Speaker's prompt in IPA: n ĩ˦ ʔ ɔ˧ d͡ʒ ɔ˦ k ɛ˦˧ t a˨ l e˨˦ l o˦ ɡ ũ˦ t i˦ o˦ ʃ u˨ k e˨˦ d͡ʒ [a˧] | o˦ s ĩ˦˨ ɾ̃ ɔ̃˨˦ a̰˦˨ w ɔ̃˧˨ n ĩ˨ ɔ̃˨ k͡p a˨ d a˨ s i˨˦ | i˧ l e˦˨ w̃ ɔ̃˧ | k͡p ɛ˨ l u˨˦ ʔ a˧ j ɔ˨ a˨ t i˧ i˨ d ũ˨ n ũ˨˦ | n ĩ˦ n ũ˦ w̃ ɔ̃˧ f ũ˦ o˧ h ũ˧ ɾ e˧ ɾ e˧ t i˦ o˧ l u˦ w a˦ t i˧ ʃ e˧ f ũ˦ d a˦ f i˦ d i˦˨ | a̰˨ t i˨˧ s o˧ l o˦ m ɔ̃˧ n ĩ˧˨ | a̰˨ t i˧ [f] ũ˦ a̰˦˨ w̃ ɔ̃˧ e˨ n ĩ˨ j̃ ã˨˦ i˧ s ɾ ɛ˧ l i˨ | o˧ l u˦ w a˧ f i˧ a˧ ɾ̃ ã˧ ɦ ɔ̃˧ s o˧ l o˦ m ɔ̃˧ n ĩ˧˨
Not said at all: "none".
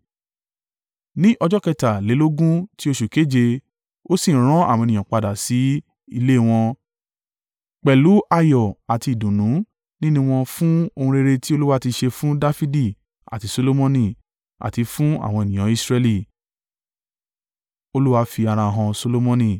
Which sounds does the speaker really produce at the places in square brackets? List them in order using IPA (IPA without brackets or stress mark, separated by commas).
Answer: e˧, f